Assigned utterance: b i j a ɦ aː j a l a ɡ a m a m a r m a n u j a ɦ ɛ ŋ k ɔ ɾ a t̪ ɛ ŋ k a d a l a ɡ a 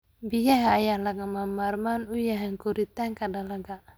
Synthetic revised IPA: b i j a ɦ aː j a l a ɡ a m a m a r m a n u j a ɦ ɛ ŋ k u ɾ i t̪ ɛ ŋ k a d a l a ɡ a